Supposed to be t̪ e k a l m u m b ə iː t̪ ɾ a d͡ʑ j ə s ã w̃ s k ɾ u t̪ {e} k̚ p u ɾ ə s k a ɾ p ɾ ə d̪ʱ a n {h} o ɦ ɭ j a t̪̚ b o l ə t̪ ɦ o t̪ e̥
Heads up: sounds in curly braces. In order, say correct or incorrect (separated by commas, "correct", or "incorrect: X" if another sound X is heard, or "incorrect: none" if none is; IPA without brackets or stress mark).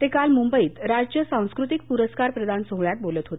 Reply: incorrect: i, incorrect: s